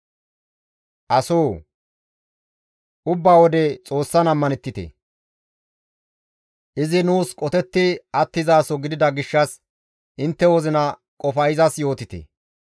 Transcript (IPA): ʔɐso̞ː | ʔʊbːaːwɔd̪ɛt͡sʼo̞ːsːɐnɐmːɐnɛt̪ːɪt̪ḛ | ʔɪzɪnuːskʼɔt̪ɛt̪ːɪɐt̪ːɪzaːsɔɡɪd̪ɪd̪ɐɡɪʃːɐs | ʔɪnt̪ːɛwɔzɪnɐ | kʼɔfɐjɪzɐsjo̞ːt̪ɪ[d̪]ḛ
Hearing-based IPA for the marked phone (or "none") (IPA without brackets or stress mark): t̪